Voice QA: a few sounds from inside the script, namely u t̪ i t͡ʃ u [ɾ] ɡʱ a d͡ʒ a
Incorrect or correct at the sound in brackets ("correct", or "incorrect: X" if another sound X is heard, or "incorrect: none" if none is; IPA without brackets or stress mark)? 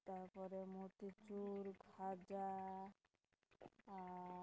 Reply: correct